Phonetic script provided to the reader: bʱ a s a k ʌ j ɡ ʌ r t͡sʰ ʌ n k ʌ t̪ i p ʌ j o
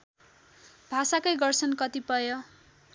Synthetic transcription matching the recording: bʱ a s a k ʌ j ɡ ʌ r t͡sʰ ʌ n k ʌ t̪ i p ʌ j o